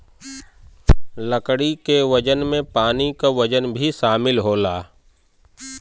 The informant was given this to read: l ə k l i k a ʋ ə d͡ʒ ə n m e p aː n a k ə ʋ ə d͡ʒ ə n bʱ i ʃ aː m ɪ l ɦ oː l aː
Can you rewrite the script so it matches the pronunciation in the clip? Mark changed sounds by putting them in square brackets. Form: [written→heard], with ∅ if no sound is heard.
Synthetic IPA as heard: l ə k [l→ɽ] i k [a→e] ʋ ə d͡ʒ ə n m [e→ẽ] p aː n [a→i] k [ə→a] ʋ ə d͡ʒ ə n bʱ i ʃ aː m ɪ l ɦ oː l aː

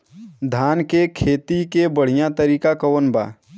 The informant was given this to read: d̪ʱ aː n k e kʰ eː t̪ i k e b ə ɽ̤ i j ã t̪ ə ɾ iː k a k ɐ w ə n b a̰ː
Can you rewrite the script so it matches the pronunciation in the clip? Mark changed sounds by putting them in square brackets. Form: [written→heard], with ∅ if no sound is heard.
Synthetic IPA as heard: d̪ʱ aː n k e kʰ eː t̪ i k e b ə ɽ̤ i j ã t̪ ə ɾ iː k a k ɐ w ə n b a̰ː

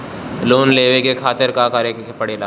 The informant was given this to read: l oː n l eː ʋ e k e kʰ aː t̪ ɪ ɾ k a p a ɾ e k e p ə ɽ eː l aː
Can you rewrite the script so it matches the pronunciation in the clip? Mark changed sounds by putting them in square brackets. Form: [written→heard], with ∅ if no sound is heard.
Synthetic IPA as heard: l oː n l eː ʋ e k e kʰ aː t̪ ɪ ɾ k a [p→k] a ɾ e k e p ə ɽ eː l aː

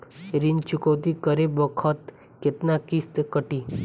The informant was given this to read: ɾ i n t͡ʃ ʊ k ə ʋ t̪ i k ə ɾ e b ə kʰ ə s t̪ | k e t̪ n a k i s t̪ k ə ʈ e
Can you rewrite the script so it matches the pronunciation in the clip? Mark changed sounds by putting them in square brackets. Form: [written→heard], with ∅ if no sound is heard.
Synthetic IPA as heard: ɾ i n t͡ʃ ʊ k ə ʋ t̪ i k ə ɾ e b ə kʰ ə [s→∅] t̪ | k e t̪ n a k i s t̪ k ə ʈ [e→i]

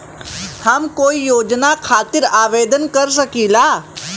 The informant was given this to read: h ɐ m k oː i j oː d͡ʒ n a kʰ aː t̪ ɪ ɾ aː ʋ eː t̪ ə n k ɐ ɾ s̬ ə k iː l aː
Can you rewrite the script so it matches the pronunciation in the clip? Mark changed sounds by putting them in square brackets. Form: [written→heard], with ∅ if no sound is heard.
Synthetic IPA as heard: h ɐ m k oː i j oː d͡ʒ n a kʰ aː t̪ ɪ ɾ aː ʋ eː [t̪→d̪] ə n k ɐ ɾ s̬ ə k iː l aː

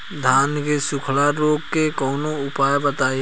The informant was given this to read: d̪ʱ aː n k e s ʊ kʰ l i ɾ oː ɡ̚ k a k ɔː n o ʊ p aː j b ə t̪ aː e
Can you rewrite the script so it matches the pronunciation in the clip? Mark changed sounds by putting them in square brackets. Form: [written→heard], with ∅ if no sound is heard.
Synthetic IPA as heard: d̪ʱ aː n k e s ʊ kʰ l [i→a] ɾ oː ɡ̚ k [a→e] k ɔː n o ʊ p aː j b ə t̪ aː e

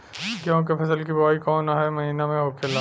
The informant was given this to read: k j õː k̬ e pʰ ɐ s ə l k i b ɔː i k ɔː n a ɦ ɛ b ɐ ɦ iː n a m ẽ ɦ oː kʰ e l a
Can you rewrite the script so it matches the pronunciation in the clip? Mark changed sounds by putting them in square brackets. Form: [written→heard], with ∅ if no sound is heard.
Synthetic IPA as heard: k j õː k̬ e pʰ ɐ s ə l k i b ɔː i k ɔː n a ɦ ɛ [b→m] ɐ ɦ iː n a m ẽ ɦ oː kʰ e l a

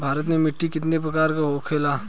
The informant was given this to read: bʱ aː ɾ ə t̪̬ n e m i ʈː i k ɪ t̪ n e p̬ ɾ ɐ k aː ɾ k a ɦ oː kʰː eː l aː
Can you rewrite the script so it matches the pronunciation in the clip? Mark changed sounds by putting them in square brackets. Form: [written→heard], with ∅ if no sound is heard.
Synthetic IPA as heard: bʱ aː ɾ ə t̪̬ n e m [i→ɪ] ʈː i k ɪ t̪ n e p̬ ɾ ɐ k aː ɾ k a ɦ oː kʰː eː l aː

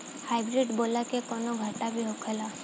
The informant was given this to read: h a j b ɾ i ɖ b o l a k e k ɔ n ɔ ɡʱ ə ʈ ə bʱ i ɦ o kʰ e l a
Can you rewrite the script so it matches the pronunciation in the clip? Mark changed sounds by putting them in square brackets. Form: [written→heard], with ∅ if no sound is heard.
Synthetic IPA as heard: h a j b ɾ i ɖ b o l a k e k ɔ n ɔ ɡʱ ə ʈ [ə→a] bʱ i ɦ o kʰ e l a

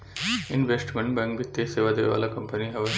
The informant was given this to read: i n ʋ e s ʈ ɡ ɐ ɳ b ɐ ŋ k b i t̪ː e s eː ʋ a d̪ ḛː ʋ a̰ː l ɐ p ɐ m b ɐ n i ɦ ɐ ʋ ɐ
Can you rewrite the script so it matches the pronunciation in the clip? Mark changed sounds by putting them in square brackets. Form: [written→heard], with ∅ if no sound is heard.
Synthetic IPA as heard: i n ʋ e s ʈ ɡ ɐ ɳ b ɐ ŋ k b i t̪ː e s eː ʋ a d̪ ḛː ʋ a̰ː l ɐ [p→k] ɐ m [b→p] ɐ n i ɦ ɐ ʋ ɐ

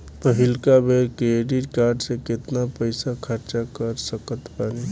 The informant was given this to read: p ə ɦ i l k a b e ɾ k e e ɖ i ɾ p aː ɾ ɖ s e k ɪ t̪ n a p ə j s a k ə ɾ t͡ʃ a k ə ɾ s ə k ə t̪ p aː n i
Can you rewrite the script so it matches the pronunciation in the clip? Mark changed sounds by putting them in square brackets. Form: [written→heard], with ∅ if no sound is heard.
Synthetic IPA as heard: p ə ɦ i l k a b e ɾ k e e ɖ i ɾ [p→k] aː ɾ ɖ s e k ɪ t̪ n a p ə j s a [k→kʰ] ə ɾ t͡ʃ a k ə ɾ s ə k ə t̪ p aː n i

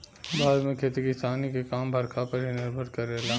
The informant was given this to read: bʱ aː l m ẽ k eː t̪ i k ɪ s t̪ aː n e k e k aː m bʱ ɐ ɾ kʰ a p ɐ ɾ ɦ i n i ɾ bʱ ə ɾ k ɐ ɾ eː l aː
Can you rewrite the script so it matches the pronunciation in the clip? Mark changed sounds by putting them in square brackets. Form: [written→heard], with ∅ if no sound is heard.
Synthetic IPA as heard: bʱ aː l m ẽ [k→kʰ] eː t̪ i k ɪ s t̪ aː n [e→i] k e k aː m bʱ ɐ ɾ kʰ a p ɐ ɾ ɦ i n [i→ɪ] ɾ bʱ ə ɾ k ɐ ɾ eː l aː

